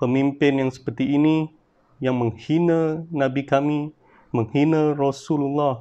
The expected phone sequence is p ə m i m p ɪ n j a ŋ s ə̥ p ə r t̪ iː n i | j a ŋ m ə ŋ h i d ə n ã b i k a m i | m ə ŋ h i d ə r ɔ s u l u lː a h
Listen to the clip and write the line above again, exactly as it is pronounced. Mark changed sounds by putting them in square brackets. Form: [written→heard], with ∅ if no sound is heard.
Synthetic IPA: p ə m i m p ɪ n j a ŋ s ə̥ p ə r t̪ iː n i | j a ŋ m ə ŋ h i [d→n] ə n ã b i k a m i | m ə ŋ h i [d→n] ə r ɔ s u l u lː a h